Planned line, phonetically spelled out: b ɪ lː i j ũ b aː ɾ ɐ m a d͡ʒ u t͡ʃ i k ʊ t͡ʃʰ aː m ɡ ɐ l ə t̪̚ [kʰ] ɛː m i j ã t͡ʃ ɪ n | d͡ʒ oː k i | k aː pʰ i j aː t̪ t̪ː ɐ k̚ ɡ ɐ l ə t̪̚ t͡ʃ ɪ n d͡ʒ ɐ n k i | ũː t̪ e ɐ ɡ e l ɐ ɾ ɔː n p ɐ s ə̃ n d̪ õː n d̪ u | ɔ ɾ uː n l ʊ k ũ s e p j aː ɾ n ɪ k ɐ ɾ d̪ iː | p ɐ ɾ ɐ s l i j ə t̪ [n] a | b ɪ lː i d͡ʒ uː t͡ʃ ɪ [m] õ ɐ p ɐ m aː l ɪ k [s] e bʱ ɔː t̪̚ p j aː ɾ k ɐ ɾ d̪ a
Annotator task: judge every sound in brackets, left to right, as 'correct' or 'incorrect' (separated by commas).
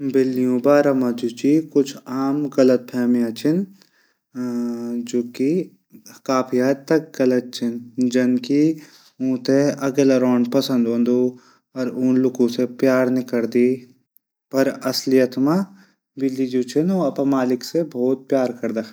incorrect, incorrect, incorrect, correct